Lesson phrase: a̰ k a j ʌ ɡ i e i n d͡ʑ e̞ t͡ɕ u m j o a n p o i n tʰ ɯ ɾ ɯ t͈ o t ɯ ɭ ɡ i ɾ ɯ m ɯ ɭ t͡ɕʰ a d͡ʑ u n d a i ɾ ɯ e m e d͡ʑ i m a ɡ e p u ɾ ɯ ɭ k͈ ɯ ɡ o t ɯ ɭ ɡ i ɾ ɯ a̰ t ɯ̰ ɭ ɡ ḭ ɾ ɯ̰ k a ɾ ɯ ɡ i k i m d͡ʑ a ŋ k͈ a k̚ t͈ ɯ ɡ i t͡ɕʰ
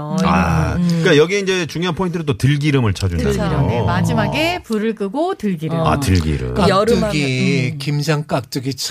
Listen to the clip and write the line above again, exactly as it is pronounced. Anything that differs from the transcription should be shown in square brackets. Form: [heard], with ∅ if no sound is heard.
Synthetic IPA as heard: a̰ k a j ʌ ɡ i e i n d͡ʑ e̞ t͡ɕ u [ŋ] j o a n [pʰ] o i n tʰ ɯ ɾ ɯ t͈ o t ɯ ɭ ɡ i ɾ ɯ m ɯ ɭ t͡ɕʰ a d͡ʑ u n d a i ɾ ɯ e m [a] d͡ʑ i m a ɡ e p u ɾ ɯ ɭ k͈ ɯ ɡ o t ɯ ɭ ɡ i ɾ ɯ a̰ t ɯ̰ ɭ ɡ ḭ ɾ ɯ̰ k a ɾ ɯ ɡ i k i m d͡ʑ a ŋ k͈ a k̚ t͈ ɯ ɡ i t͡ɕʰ